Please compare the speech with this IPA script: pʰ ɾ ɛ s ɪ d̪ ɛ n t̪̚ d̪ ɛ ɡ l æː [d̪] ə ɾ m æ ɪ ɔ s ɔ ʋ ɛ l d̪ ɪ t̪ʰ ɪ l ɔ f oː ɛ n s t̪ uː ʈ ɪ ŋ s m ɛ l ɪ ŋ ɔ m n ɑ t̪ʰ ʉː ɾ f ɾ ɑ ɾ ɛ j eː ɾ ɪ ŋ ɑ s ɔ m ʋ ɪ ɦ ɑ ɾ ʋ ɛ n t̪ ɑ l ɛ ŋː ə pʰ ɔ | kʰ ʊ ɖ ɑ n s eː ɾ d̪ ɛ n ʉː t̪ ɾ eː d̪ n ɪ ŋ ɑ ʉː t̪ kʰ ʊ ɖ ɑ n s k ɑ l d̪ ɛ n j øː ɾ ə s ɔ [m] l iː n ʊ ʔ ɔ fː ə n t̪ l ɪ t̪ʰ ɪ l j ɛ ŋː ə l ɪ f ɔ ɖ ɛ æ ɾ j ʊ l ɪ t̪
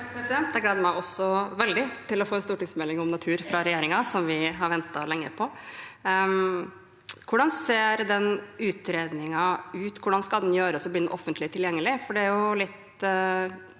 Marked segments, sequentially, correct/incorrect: correct, incorrect: b

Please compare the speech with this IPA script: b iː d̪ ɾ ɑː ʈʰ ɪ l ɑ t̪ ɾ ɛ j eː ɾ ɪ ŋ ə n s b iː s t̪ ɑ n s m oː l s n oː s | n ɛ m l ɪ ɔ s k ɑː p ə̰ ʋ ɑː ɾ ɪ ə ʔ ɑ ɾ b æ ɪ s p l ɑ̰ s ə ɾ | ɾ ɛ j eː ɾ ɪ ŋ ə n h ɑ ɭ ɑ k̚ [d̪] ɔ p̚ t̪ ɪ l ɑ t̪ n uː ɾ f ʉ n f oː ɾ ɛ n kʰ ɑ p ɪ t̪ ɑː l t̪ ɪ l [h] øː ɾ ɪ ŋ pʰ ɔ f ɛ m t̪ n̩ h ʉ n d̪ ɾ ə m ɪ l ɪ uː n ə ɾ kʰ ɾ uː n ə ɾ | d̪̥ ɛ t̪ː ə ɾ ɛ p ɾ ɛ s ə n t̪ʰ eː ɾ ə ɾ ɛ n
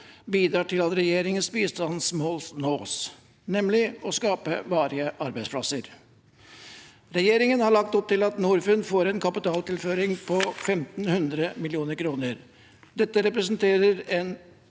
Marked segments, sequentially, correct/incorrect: incorrect: t̪, incorrect: f

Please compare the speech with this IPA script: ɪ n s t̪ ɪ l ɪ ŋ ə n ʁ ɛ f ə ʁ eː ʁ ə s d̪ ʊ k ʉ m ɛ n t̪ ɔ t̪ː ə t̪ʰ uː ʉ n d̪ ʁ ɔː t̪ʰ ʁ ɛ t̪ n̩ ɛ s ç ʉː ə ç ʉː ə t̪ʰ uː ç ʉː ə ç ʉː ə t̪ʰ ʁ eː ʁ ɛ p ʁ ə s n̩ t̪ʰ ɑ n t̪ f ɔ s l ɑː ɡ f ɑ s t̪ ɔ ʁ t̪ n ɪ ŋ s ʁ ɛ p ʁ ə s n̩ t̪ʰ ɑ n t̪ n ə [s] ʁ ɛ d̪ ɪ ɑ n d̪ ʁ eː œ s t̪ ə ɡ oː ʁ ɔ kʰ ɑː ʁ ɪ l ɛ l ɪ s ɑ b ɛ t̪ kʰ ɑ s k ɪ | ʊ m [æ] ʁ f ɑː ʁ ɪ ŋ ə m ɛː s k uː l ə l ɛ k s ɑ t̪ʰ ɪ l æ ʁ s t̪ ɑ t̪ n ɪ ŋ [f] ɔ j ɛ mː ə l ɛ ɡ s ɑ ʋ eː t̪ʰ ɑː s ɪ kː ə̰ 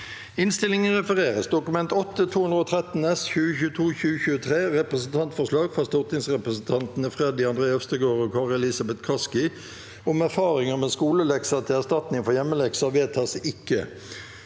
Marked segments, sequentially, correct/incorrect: incorrect: f, correct, correct

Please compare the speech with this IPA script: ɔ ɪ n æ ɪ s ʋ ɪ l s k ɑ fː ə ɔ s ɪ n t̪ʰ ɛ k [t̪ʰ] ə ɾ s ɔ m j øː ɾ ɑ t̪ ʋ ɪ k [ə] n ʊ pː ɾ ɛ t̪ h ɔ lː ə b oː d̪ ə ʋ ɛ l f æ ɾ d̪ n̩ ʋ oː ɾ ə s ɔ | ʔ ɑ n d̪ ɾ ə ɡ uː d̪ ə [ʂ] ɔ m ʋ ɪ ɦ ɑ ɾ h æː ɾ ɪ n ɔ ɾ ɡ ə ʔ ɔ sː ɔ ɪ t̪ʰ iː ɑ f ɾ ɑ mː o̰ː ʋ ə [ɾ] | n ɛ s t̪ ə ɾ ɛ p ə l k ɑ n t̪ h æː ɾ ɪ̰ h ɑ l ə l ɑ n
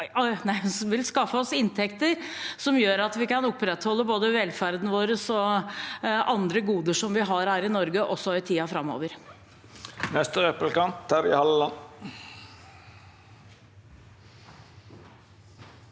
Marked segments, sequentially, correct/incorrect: incorrect: t̪, incorrect: ɑ, correct, correct

